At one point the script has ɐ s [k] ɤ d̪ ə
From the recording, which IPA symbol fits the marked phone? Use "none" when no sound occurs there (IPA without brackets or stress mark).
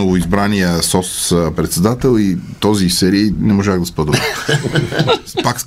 p